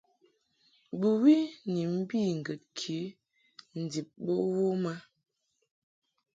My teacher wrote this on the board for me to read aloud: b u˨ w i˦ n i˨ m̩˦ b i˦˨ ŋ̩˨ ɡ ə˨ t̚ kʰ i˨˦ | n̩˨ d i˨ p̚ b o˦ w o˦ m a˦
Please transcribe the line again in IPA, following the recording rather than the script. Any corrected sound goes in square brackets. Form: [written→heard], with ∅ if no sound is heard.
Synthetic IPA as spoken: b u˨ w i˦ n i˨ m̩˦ b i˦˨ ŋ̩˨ ɡ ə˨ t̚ kʰ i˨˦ | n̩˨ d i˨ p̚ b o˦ w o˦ m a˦